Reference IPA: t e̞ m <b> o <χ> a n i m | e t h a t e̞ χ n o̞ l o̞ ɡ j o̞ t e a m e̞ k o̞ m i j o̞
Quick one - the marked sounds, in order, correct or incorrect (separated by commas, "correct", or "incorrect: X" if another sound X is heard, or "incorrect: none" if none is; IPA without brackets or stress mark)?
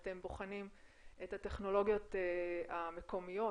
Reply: correct, correct